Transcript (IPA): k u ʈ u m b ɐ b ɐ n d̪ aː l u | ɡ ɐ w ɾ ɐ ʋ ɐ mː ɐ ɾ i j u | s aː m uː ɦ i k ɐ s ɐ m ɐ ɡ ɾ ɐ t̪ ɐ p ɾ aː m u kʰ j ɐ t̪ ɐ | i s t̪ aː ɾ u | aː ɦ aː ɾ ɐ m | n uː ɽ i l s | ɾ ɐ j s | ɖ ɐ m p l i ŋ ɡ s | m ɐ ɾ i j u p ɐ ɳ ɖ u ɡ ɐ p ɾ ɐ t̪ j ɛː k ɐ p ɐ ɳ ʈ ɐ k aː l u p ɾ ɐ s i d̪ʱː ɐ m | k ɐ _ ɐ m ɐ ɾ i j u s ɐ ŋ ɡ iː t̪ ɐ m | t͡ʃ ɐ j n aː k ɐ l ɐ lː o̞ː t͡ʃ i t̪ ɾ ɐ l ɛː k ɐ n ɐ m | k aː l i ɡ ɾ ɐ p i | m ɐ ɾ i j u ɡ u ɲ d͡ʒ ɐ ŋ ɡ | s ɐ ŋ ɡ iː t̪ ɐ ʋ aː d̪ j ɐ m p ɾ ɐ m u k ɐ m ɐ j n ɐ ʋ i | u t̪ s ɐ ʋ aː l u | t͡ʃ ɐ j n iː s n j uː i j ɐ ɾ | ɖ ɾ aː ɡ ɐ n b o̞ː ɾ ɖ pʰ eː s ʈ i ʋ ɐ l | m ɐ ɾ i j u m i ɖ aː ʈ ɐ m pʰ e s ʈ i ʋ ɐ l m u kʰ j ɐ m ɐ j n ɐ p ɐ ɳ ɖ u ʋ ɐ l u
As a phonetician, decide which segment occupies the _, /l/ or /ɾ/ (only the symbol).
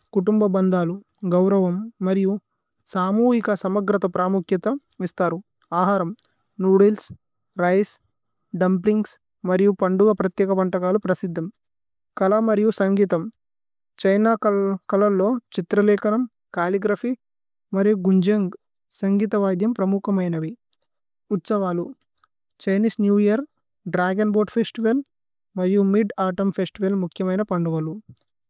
l